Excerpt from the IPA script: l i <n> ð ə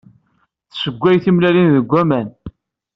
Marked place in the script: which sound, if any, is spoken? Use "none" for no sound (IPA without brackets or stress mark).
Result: n